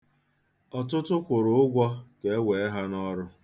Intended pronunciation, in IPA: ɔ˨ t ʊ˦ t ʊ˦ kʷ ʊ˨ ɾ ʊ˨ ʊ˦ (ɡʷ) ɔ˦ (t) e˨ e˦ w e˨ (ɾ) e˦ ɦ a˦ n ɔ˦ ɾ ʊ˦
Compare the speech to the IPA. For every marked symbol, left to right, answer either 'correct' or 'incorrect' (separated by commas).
correct, incorrect, incorrect